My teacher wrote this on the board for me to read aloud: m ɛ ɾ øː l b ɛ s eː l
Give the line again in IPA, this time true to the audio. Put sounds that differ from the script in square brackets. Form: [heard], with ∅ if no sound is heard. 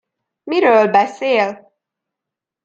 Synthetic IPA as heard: m [i] ɾ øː l b ɛ s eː l